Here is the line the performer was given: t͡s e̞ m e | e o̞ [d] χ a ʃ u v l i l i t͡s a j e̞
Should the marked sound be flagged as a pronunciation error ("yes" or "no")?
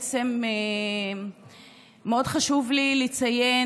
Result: no